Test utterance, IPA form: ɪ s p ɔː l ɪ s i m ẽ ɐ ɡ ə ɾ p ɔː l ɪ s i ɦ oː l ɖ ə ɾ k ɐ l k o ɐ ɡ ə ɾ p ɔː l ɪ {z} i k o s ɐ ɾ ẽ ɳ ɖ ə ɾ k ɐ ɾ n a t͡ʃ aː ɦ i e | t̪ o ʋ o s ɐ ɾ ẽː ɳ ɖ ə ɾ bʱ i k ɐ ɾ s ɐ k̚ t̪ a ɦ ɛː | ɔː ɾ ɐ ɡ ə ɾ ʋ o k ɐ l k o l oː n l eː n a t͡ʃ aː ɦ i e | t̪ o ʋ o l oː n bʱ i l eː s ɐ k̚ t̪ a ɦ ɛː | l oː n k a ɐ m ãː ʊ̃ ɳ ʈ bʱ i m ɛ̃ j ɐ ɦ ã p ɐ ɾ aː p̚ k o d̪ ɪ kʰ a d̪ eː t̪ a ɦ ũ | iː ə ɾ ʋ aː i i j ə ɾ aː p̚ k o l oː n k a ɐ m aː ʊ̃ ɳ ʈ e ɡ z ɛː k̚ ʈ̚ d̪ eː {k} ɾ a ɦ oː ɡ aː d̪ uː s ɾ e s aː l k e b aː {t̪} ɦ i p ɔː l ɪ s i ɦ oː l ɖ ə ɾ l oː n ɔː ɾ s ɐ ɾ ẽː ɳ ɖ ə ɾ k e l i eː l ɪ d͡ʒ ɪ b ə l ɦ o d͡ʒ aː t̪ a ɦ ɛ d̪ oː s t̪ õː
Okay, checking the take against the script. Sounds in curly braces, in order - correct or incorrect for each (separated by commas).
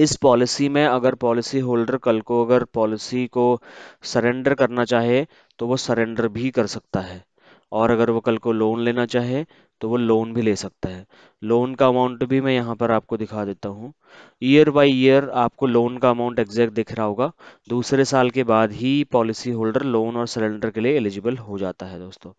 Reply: incorrect, incorrect, incorrect